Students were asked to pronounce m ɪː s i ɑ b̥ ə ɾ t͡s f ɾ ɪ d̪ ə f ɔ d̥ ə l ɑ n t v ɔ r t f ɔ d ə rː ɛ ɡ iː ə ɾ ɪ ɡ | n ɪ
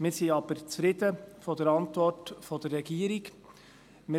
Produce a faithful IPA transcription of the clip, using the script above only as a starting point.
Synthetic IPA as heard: m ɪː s i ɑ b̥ ə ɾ t͡s f ɾ ɪ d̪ ə f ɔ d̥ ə ɾ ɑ n t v ɔ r t f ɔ d ə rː ɛ ɡ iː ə ɾ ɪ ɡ | m ɪ